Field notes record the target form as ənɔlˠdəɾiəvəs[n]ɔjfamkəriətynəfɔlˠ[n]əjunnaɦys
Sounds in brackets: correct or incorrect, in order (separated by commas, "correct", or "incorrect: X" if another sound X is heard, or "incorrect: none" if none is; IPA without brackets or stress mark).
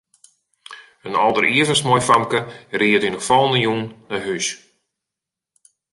incorrect: m, correct